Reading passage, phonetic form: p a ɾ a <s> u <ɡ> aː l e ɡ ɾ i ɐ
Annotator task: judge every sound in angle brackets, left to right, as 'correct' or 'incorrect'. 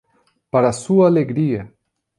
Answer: correct, incorrect

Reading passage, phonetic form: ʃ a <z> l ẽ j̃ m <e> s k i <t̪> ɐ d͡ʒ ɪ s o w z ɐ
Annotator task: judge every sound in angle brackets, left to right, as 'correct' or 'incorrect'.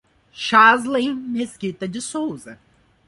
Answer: correct, correct, correct

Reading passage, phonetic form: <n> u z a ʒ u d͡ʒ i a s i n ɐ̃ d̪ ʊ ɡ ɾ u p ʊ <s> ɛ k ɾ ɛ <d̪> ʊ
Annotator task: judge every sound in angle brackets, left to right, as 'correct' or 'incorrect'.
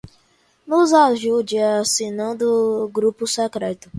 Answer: correct, correct, incorrect

